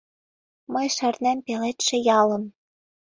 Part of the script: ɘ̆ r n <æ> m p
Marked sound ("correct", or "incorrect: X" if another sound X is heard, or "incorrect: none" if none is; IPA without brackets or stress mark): correct